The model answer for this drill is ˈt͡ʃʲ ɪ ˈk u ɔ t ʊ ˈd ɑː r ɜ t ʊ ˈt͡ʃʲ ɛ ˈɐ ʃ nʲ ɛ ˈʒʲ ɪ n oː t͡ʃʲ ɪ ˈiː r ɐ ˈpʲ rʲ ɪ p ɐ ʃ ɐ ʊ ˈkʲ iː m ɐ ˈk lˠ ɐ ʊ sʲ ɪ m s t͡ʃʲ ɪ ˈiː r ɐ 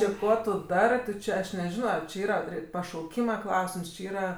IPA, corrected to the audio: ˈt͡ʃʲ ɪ ˈk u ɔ t ʊ ˈd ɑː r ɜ t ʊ ˈt͡ʃʲ ɛ ˈɐ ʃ nʲ ɛ ˈʒʲ ɪ n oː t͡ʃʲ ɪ ˈiː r ɐ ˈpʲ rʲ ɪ p ɐ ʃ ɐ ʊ ˈkʲ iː m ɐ ˈk lˠ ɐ ʊ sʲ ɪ m s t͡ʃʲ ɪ ˈiː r ɐ